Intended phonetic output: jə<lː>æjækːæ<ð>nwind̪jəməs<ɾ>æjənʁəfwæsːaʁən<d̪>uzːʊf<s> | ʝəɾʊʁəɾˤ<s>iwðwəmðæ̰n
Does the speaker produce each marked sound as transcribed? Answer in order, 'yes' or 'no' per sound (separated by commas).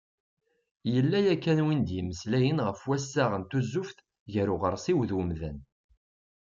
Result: yes, no, no, no, no, yes